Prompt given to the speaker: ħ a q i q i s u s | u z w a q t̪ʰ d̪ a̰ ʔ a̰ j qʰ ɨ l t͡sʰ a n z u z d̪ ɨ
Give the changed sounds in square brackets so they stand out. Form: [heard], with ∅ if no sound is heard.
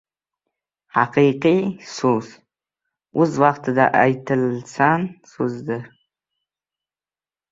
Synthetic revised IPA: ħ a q i q i s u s | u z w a q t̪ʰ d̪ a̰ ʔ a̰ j [tʰ] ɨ l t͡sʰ a n [s] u z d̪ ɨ